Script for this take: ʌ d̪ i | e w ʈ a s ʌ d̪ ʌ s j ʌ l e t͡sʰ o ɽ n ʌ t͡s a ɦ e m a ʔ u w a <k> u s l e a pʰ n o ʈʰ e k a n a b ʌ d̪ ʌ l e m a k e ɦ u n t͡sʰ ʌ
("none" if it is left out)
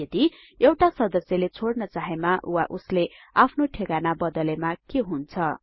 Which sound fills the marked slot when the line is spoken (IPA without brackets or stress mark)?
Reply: ʔ